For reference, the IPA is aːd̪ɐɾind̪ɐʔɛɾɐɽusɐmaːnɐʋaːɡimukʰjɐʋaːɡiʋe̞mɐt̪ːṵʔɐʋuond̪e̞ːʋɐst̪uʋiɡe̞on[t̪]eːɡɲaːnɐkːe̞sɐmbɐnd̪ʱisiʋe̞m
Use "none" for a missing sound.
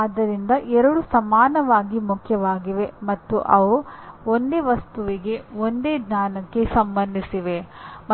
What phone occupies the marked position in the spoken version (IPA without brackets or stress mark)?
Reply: d̪